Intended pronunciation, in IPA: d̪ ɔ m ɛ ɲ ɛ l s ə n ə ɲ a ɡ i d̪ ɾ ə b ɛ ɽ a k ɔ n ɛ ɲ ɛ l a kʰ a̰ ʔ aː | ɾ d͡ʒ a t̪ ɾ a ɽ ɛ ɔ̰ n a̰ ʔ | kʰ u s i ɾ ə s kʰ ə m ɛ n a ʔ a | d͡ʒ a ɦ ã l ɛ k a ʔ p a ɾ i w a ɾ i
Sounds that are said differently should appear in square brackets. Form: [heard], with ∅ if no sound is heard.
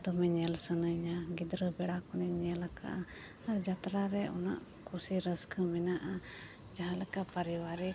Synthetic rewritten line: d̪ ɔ m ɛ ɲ ɛ l s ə n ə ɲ a ɡ i d̪ ɾ ə b ɛ ɽ a k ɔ n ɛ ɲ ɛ l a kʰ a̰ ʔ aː | ɾ d͡ʒ a t̪ ɾ a [ɾ] ɛ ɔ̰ n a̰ ʔ | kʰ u s i ɾ ə s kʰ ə m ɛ n a ʔ a | d͡ʒ a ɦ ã l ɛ k a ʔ p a ɾ i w a ɾ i